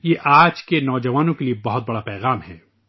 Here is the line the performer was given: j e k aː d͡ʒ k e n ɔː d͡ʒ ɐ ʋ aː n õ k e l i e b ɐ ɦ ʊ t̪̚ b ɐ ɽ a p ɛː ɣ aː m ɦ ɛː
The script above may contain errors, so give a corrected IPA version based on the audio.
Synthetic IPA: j e ʔ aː d͡ʒ k e n ɔː d͡ʒ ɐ ʋ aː n õ k e l i e b ɐ ɦ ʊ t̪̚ b ɐ ɽ a p ɛː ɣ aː m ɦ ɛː